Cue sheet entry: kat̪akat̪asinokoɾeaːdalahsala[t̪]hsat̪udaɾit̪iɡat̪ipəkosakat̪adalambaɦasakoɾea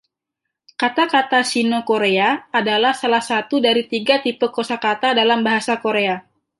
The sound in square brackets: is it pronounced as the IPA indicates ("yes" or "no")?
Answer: no